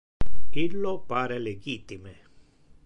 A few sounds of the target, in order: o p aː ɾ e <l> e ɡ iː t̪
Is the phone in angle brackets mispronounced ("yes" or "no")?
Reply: no